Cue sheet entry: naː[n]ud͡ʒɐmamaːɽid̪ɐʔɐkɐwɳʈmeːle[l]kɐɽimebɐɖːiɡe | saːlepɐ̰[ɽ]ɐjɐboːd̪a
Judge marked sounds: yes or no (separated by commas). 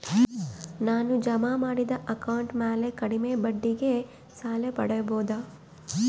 yes, no, yes